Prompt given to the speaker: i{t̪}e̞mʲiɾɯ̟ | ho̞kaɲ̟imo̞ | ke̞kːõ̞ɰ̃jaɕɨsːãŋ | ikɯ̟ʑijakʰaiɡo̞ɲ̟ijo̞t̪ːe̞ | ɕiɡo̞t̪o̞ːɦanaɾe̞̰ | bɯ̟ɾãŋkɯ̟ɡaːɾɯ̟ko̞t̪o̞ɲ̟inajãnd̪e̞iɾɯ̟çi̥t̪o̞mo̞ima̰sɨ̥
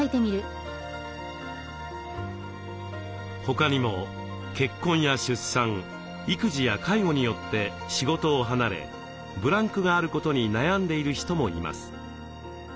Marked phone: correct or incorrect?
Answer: correct